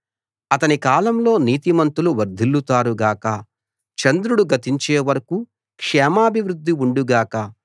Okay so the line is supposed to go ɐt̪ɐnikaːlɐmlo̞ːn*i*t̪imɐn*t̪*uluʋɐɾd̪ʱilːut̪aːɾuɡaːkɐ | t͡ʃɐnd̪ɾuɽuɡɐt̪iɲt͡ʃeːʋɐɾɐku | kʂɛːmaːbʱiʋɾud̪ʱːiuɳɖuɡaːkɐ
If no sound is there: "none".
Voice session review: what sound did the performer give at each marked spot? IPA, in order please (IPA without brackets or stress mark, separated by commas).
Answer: iː, t̪